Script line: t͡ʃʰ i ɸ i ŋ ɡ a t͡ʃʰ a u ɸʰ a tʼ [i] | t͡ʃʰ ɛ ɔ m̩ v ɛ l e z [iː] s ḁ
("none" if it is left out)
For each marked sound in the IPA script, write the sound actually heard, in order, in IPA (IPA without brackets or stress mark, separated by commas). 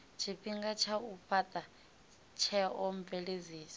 a, iː